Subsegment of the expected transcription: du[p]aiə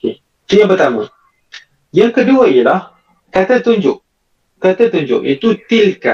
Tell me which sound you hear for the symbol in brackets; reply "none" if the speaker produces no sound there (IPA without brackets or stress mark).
none